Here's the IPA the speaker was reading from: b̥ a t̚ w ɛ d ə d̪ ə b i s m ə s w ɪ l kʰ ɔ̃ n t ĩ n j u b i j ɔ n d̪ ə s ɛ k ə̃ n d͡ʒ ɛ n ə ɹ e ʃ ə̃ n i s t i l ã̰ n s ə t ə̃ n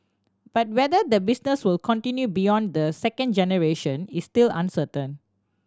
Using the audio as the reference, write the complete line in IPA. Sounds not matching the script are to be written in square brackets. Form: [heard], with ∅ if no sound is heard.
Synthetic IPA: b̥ a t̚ w ɛ d ə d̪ ə b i s [n] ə s w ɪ l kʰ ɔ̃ n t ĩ n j u b i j [ɔ̃] n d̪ ə s ɛ k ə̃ n d͡ʒ ɛ n ə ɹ e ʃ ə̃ n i s t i l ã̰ n s ə t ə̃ n

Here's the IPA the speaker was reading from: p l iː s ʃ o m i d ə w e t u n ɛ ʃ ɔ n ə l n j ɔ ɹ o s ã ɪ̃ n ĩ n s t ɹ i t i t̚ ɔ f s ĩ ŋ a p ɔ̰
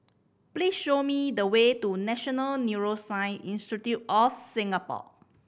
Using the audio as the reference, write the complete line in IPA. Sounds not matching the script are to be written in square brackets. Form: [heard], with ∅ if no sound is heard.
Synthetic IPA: p l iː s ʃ o m i d ə w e t u n ɛ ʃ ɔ n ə l n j [u] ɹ o s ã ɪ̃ n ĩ n s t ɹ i t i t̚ ɔ f s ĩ ŋ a p ɔ̰

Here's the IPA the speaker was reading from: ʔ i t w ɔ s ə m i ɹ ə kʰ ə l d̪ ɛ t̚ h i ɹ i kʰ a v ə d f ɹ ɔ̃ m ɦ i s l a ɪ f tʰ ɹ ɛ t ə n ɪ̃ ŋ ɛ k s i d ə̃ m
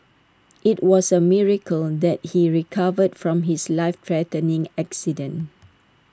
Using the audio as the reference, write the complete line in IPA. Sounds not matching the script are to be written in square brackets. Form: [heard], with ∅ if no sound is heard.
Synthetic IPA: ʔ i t w ɔ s ə m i ɹ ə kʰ ə l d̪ ɛ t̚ h i ɹ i kʰ a v ə d f ɹ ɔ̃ m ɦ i s l a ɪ f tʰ ɹ ɛ t ə n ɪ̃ ŋ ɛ k s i d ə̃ [n]

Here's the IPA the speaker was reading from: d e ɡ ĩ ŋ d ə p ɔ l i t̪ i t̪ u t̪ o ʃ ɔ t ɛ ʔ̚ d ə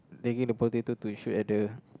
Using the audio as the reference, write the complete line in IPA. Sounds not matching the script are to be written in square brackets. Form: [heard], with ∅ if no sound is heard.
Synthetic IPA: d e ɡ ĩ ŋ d ə p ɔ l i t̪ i t̪ u t̪ [u] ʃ [u] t ɛ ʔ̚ d ə

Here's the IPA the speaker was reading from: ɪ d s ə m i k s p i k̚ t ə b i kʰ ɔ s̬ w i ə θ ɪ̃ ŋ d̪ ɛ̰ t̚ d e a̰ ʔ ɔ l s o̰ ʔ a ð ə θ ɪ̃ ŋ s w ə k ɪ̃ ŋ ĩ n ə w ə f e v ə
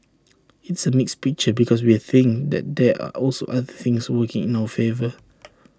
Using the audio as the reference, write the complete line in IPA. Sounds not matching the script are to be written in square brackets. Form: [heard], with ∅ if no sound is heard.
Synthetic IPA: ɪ [t] s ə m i k s p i k̚ [t͡ʃ] ə b i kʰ ɔ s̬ w i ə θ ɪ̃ ŋ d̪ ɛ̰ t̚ d [ɛ] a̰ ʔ ɔ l s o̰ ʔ a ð ə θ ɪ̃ ŋ s w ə k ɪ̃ ŋ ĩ n [a] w ə f e v ə

